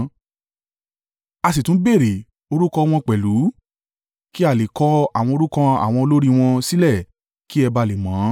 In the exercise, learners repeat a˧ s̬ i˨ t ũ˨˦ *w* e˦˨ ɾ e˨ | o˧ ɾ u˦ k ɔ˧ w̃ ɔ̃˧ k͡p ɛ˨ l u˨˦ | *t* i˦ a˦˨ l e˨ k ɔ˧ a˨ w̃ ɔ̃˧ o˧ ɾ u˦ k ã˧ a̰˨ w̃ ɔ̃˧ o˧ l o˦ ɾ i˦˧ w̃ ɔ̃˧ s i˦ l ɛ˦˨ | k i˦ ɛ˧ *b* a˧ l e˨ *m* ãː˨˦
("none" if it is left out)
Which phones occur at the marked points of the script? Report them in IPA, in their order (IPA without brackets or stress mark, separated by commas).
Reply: b, k, b, m